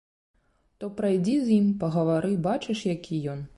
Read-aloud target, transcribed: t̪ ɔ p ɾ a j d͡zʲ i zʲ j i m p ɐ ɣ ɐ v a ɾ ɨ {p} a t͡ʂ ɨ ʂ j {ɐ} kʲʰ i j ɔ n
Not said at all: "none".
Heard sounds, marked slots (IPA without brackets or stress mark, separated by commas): b, a